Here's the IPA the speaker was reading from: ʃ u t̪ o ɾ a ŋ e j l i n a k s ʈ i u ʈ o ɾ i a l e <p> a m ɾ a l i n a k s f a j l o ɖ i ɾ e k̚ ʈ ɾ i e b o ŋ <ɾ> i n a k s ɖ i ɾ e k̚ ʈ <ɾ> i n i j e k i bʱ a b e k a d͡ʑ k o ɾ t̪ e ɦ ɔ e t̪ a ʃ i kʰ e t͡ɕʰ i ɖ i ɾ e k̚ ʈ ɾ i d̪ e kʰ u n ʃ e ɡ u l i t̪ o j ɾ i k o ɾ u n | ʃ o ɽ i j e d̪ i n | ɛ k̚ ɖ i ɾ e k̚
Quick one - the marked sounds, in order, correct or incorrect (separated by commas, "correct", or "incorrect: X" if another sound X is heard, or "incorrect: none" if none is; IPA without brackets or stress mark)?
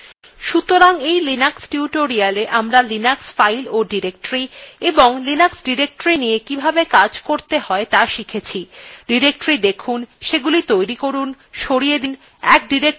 incorrect: ʔ, incorrect: l, correct